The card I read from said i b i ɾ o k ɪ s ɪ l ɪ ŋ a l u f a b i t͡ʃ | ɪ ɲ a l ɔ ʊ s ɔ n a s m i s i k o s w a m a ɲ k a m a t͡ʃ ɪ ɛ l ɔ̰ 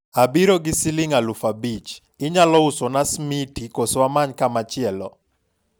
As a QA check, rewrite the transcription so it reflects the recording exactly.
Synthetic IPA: a b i ɾ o ɡ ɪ s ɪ l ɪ ŋ a l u f a b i t͡ʃ | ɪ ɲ a l ɔ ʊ s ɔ n a s m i t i k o s w a m a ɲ k a m a t͡ʃ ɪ ɛ l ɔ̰